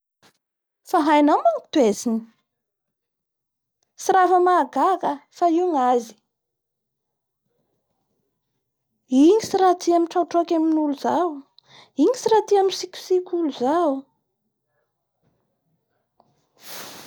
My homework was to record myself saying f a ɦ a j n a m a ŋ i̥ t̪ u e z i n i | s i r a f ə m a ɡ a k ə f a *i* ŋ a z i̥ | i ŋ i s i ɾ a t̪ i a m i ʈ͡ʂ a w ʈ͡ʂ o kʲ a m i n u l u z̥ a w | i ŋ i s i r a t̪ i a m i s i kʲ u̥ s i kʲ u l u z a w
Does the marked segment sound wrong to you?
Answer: no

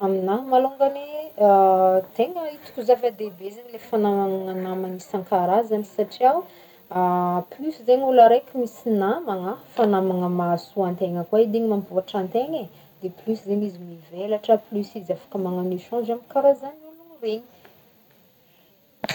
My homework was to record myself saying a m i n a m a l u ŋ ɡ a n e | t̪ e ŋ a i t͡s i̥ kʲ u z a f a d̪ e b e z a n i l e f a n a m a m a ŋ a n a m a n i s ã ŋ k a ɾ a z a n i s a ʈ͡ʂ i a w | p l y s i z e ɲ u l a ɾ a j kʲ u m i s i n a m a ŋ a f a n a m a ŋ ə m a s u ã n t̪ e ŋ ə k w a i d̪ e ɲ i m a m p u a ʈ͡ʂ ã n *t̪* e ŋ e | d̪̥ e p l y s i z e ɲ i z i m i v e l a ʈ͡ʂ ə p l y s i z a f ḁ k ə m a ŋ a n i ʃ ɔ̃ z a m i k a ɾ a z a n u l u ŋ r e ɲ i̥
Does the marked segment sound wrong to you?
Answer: no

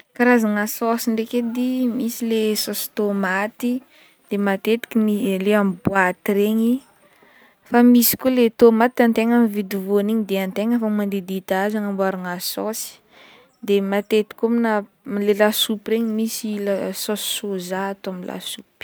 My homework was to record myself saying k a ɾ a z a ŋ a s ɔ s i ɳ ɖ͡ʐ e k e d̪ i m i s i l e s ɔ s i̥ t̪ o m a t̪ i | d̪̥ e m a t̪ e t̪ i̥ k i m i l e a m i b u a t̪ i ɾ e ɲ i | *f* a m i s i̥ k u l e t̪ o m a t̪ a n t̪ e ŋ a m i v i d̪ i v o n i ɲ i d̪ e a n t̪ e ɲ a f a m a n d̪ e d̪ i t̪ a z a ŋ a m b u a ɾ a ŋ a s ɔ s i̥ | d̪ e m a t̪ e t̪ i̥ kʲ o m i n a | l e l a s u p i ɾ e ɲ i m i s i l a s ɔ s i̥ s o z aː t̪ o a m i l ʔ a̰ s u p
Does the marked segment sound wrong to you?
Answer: no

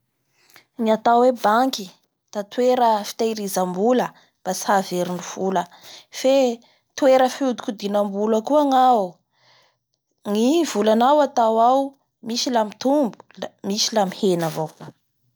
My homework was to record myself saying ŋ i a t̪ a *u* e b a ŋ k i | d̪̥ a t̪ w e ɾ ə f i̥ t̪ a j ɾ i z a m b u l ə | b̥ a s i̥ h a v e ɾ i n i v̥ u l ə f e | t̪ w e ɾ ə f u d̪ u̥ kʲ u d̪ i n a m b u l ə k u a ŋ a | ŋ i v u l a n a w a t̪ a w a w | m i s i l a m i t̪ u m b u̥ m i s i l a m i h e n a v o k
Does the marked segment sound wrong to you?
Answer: yes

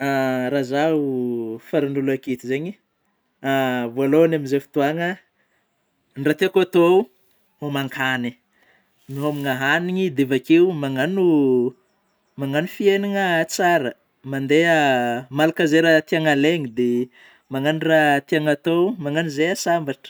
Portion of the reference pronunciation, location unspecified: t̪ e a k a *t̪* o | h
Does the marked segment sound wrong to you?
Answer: no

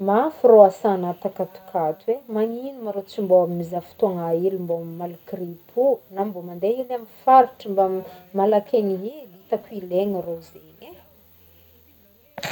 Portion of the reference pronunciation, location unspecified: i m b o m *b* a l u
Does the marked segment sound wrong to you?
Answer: yes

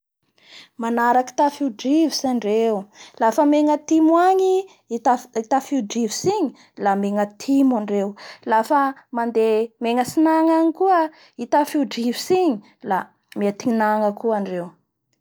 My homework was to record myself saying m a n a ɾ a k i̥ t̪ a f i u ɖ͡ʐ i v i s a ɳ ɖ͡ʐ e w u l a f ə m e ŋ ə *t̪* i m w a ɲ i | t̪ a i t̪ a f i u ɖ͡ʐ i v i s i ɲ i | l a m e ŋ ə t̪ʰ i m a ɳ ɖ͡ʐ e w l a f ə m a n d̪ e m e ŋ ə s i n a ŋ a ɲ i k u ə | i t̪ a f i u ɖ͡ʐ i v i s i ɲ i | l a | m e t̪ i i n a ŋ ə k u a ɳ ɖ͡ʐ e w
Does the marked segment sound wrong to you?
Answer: no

